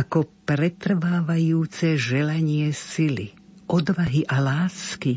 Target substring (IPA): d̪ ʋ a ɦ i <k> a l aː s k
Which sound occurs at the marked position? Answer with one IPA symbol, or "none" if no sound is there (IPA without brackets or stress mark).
ʔ